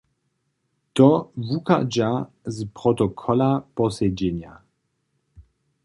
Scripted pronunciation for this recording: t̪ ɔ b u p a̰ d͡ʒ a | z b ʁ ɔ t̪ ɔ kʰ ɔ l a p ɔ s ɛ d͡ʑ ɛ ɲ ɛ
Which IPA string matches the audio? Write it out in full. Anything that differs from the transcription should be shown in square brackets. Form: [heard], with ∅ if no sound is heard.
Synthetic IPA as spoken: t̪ ɔ [v] u [k] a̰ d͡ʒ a | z [p] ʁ ɔ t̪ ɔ kʰ ɔ l a p ɔ s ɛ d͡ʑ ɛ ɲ [a]